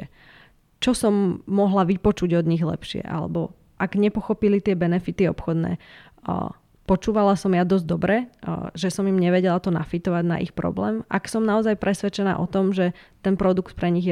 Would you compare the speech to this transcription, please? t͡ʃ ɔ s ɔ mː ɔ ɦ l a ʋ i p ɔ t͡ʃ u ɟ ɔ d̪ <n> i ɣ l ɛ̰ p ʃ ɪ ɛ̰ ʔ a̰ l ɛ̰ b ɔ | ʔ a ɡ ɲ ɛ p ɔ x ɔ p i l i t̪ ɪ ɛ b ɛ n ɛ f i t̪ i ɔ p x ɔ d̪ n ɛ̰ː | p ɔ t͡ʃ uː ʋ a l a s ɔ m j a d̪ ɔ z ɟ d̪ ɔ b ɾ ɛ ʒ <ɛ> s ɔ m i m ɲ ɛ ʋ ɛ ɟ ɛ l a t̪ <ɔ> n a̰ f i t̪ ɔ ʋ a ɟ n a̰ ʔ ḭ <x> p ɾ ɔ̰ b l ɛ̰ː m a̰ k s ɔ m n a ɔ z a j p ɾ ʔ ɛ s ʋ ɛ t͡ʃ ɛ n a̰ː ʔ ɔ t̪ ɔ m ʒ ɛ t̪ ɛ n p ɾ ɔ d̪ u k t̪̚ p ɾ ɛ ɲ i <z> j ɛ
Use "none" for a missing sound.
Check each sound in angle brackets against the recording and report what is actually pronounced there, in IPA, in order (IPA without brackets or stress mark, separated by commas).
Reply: ɲ, ɛ, ɔ, x, ɣ